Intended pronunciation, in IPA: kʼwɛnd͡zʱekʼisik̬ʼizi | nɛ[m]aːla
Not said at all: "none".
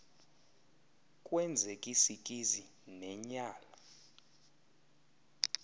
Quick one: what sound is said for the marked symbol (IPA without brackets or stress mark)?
ɲ